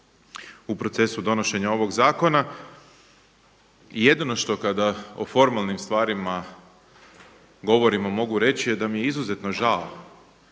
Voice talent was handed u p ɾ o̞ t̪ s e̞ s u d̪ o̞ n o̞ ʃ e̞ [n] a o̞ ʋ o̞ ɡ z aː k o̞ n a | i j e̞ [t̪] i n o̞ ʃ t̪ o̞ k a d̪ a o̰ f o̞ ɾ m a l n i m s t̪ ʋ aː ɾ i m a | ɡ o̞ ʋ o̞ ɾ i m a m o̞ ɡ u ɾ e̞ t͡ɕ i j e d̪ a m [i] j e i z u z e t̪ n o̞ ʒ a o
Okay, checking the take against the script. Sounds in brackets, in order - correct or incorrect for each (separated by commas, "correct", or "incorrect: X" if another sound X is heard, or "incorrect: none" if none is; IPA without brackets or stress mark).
incorrect: ɲ, incorrect: d̪, correct